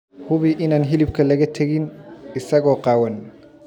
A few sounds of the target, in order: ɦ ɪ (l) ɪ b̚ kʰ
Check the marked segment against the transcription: correct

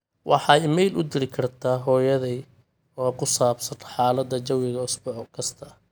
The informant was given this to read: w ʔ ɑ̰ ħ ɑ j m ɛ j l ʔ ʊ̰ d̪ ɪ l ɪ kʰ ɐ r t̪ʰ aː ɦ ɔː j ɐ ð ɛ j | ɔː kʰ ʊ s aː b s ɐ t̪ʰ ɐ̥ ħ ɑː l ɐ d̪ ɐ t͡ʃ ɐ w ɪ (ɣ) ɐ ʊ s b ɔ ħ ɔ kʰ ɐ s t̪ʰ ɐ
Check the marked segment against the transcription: correct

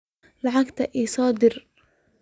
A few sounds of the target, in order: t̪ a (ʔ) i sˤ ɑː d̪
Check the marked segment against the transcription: correct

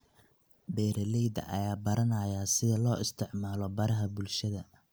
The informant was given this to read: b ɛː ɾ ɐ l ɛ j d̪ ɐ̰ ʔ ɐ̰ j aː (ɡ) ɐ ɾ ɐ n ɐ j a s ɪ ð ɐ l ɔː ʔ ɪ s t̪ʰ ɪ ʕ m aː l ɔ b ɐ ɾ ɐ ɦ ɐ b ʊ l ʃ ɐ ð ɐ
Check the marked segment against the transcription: incorrect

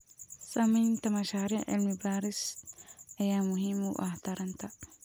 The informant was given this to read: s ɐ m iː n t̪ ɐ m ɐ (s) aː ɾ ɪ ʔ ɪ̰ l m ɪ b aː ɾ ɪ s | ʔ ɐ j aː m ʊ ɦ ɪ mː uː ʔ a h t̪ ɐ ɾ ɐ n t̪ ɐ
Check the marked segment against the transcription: incorrect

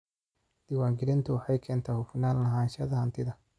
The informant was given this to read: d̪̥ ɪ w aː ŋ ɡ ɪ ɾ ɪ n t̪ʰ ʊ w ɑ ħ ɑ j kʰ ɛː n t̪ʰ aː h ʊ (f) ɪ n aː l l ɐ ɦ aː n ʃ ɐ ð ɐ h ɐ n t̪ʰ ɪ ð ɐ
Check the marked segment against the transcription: correct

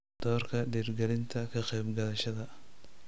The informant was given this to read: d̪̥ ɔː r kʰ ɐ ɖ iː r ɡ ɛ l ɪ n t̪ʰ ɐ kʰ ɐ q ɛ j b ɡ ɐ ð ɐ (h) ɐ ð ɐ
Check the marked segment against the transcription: incorrect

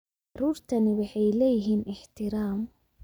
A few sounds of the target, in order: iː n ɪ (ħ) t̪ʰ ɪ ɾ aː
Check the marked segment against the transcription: correct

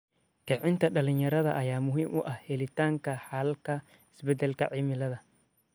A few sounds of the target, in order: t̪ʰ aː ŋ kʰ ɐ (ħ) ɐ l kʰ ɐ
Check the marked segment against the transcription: correct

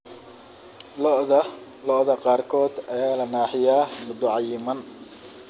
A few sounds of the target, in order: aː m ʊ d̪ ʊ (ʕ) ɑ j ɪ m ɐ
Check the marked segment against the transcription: correct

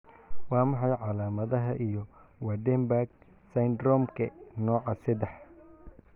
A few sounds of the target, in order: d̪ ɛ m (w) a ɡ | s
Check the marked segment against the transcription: incorrect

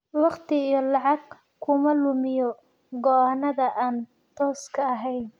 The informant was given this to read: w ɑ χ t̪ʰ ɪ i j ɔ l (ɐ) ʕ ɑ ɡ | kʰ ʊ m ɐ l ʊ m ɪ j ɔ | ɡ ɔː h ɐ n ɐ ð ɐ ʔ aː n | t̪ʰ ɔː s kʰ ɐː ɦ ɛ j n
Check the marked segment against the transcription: incorrect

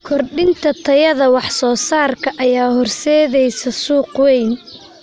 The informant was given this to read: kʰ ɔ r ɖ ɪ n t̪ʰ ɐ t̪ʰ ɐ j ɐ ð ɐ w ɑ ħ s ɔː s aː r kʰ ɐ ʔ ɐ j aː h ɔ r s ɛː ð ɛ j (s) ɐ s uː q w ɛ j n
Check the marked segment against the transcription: correct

